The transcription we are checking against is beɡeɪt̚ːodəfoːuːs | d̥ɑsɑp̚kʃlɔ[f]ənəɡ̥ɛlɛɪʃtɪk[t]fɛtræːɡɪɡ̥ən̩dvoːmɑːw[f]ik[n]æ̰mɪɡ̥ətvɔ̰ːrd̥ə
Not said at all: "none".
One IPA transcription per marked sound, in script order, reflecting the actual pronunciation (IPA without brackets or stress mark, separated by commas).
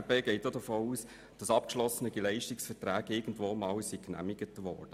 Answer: s, s, s, n